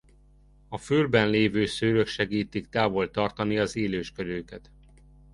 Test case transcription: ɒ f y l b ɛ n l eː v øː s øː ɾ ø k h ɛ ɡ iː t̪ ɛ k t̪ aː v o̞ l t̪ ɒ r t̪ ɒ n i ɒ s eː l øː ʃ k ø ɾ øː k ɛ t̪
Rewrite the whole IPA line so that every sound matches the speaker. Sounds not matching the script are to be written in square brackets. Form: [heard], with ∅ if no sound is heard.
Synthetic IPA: ɒ f y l b ɛ n l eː v øː s øː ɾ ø k [ʃ] ɛ ɡ iː t̪ [i] k t̪ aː v o̞ l t̪ ɒ r t̪ ɒ n i ɒ [z] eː l øː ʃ k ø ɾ øː k ɛ t̪